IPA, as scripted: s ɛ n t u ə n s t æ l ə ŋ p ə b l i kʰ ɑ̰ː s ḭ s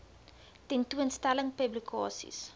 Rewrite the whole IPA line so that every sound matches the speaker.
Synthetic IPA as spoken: t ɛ n t u ə n s t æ l ə ŋ p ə b l i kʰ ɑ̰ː s ḭ s